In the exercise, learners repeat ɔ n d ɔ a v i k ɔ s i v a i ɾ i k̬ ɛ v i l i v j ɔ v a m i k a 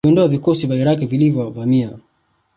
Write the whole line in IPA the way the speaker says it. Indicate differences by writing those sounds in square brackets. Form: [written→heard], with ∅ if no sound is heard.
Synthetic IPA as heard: ɔ n d ɔ a v i k ɔ s i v a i ɾ [i→a] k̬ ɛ v i l i v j ɔ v a m i [k→∅] a